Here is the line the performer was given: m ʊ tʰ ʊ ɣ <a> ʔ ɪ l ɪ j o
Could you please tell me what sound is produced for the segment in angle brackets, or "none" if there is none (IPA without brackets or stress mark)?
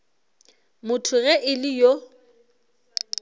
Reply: ɛ